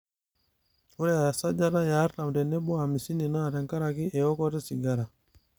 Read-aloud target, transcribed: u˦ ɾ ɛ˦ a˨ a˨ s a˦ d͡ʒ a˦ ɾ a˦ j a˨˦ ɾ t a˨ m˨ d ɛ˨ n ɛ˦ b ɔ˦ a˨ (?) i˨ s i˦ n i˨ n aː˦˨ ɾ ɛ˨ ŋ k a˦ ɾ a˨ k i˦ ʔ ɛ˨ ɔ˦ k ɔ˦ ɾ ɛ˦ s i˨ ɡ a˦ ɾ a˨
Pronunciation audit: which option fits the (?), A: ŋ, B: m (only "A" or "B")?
B